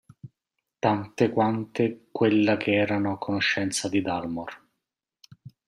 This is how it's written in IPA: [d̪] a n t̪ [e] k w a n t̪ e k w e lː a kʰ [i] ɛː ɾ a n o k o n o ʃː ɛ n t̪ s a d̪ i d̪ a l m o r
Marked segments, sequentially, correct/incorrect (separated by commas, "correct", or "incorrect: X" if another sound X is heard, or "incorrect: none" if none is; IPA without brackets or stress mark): incorrect: t̪, correct, incorrect: e